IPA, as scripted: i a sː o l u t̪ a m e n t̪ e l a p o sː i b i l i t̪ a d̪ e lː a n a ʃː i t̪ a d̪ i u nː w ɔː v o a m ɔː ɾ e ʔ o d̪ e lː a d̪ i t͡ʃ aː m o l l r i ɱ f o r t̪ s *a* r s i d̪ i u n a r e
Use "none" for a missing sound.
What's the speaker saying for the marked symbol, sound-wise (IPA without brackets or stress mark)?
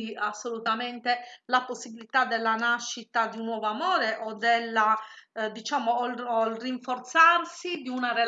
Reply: a